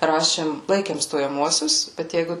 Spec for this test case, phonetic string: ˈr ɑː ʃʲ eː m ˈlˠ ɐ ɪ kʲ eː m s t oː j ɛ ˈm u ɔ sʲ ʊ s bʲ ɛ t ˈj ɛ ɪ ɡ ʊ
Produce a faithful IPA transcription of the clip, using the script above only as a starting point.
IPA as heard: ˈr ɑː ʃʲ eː m ˈlˠ ɐ ɪ kʲ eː m s t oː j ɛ ˈm u ɔ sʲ ʊ s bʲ ɛ t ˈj ɛ ɪ ɡ ʊ